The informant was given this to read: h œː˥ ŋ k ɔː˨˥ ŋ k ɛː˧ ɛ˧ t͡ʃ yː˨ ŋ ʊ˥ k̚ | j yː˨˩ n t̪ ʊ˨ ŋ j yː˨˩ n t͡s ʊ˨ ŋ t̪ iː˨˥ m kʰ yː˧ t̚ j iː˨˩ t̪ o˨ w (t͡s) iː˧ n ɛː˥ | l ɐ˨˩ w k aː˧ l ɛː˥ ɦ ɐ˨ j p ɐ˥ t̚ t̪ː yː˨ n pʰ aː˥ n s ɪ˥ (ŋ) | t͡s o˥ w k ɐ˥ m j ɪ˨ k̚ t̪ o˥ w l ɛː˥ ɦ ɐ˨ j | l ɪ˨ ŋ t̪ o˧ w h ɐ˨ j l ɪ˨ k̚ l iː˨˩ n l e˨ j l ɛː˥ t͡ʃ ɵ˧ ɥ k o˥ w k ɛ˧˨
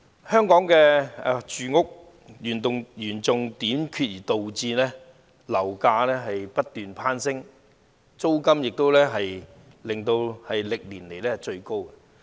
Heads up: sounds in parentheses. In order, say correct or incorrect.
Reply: correct, correct

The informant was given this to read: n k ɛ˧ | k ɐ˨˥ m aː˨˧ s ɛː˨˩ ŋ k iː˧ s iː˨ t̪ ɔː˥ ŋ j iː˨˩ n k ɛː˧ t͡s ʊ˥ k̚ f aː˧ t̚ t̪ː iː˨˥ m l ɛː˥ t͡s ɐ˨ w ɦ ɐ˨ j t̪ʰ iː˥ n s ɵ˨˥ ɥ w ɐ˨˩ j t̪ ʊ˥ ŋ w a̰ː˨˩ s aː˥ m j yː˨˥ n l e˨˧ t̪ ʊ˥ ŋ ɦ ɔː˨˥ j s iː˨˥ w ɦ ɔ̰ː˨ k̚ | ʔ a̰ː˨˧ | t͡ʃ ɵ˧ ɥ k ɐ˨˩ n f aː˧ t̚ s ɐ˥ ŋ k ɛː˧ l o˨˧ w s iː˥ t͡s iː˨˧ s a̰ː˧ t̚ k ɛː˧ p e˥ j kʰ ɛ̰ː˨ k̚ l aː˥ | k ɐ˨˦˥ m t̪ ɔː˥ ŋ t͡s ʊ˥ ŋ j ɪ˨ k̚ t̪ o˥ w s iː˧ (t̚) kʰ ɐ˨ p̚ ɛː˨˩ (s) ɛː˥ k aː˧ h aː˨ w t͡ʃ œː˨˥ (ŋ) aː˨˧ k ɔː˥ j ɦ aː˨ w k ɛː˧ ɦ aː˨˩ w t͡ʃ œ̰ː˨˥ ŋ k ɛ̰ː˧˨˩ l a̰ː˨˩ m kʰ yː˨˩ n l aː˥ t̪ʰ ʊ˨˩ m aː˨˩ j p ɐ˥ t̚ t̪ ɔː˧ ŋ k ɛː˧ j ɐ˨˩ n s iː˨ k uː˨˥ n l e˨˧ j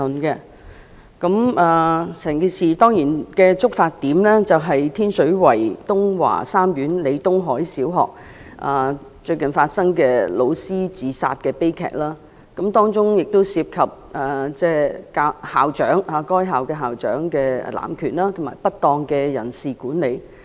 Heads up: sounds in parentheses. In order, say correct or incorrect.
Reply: incorrect: p̚, incorrect: t͡s, correct

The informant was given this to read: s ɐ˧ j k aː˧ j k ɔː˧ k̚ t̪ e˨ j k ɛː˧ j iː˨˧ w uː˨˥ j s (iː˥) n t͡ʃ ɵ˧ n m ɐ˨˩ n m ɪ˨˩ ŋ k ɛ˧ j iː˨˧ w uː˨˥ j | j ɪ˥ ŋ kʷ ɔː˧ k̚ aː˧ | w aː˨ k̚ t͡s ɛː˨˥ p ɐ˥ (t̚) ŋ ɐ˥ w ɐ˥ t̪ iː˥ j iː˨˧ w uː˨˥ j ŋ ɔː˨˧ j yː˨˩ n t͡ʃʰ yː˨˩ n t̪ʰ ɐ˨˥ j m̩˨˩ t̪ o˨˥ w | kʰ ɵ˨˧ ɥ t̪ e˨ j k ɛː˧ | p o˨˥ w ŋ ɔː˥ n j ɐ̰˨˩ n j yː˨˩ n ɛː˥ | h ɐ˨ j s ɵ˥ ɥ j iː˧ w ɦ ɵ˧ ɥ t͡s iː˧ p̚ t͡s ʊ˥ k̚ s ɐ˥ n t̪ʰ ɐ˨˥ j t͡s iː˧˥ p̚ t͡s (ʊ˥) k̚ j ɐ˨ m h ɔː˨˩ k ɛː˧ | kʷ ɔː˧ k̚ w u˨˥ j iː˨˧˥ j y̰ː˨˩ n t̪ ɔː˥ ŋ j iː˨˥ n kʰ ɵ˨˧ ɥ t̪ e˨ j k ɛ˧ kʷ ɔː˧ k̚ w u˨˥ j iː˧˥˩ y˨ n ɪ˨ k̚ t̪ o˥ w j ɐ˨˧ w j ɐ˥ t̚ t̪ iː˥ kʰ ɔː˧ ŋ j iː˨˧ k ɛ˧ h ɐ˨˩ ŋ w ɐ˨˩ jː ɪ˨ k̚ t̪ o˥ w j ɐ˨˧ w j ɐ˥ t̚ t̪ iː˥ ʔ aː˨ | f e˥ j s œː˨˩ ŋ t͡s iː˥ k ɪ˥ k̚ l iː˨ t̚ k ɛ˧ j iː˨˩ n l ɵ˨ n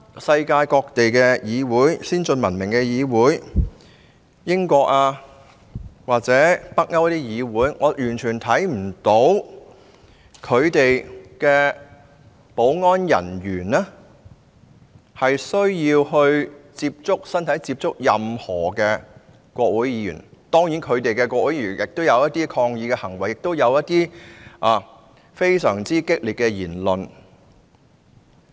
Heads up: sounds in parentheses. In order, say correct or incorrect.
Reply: correct, incorrect: k̚, correct

